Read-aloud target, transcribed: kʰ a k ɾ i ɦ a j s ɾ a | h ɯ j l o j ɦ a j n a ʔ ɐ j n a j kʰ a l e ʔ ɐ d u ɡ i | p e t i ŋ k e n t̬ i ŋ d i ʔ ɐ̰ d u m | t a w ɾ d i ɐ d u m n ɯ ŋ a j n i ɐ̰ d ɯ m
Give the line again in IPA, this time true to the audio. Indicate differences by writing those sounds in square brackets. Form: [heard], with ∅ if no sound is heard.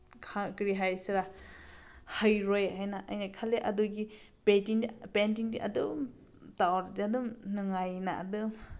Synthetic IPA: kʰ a k ɾ i ɦ a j s ɾ a | h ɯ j [ɾ] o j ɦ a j n a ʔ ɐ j n a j kʰ a l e ʔ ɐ d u ɡ i | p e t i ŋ [p] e n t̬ i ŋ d i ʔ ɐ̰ d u m | t a w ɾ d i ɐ d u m n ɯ ŋ a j n [a] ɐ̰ d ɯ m